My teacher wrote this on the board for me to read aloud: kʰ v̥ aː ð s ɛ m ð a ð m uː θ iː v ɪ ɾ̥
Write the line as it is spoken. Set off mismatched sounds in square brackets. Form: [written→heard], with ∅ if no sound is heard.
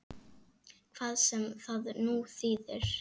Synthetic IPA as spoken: kʰ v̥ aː ð s ɛ m [ð→θ] a ð [m→n] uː θ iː [v→ð] ɪ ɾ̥